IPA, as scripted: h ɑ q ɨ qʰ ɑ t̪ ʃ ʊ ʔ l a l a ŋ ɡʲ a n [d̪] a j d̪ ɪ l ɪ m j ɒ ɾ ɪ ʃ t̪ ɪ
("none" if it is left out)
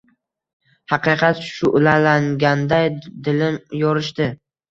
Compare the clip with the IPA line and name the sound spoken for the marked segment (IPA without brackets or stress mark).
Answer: d̪